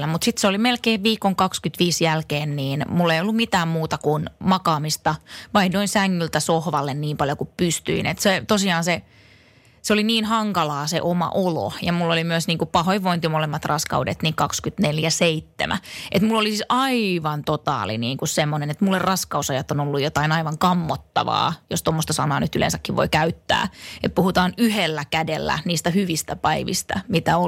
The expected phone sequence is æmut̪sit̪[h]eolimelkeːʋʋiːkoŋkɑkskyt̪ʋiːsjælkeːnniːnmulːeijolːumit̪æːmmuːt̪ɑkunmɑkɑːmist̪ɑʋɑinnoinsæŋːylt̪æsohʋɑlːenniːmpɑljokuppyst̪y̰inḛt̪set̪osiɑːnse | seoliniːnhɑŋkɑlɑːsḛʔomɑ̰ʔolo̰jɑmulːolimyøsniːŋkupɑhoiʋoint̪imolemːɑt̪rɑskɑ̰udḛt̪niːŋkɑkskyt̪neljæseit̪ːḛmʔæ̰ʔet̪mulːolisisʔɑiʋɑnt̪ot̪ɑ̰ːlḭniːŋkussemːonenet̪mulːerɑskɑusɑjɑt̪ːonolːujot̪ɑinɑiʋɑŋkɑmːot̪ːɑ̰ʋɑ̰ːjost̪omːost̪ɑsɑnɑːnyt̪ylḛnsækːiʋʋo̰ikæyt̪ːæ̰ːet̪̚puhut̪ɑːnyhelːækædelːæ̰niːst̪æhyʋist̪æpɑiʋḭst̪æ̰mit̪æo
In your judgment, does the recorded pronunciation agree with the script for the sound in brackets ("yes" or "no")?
no